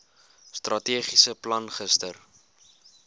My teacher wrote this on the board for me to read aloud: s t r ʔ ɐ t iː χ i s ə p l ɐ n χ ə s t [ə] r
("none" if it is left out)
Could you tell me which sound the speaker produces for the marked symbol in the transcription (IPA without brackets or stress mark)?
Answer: ə